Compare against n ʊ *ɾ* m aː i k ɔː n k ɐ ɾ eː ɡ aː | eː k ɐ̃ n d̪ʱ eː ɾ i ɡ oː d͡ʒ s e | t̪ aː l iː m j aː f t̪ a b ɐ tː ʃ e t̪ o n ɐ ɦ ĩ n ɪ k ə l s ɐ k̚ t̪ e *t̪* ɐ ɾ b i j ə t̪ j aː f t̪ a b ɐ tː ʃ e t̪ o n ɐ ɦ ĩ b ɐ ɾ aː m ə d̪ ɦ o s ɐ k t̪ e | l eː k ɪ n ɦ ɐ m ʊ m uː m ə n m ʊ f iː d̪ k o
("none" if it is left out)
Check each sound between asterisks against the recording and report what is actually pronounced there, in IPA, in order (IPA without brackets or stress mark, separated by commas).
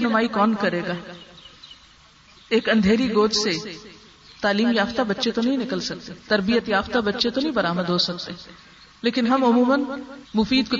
none, t̪